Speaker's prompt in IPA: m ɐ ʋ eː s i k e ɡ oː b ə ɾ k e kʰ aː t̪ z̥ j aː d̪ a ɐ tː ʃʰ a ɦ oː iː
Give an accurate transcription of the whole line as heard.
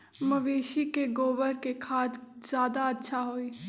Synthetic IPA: m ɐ ʋ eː ʃ i k e ɡ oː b ə ɾ k e kʰ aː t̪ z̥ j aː d̪ a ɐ tː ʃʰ a ɦ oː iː